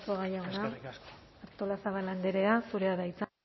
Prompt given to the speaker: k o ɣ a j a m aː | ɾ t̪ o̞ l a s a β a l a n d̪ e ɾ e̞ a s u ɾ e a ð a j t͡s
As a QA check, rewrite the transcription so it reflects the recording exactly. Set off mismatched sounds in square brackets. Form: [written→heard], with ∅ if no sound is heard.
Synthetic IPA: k o ɣ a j a [m→n] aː | ɾ t̪ o̞ l a s a β a l a n d̪ e ɾ e̞ a s u ɾ e a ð a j t͡s